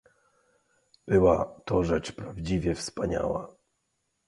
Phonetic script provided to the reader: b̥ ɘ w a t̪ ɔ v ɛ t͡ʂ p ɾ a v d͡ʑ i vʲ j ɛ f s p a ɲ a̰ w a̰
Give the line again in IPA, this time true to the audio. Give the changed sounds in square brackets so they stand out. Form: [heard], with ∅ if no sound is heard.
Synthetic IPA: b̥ ɘ w a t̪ ɔ [ʐ] ɛ t͡ʂ p ɾ a v d͡ʑ i vʲ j ɛ f s p a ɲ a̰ w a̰